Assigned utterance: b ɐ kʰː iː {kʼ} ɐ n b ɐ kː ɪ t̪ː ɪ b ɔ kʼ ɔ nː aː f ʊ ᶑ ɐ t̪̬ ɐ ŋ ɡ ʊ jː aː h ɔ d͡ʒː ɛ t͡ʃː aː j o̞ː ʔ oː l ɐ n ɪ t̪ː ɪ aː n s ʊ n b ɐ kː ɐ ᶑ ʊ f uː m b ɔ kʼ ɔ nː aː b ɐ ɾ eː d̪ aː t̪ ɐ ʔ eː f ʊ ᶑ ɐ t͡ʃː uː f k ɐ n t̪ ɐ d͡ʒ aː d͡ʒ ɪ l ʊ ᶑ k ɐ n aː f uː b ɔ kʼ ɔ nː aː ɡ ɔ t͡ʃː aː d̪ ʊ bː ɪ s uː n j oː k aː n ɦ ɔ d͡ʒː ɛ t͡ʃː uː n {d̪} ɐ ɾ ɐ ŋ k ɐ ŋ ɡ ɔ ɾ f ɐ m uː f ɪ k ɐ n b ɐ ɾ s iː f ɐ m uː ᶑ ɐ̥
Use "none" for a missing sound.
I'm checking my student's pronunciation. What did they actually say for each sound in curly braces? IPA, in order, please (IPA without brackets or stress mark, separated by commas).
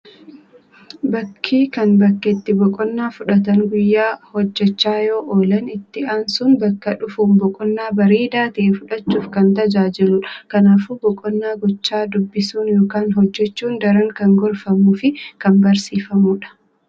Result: k, d̪